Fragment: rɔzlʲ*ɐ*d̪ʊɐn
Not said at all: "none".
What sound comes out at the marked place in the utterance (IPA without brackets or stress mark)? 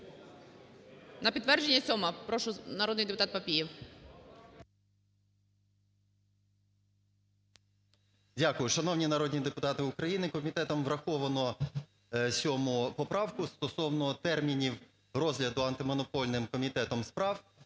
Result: ɐ